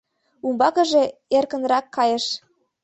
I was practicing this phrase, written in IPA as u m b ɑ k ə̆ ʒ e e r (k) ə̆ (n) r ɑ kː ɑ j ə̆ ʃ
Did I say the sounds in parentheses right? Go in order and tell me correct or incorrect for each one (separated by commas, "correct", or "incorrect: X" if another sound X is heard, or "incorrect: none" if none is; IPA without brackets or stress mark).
correct, correct